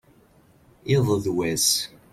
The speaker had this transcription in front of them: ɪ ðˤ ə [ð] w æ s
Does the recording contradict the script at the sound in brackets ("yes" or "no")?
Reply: no